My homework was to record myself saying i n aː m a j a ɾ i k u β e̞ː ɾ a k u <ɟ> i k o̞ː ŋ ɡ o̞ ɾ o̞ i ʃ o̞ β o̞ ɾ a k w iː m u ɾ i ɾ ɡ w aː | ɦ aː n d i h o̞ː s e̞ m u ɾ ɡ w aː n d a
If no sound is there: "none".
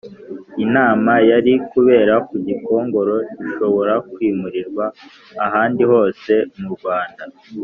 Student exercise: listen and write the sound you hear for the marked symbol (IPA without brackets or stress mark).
ɟ